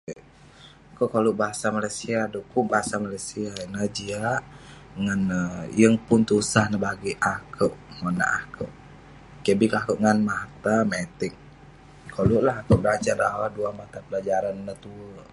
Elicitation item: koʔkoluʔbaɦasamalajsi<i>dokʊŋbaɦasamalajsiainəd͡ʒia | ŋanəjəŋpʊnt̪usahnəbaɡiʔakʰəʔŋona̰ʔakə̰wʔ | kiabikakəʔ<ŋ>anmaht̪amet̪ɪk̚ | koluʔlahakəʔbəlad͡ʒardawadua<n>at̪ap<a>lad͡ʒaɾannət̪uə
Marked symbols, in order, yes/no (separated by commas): no, yes, no, no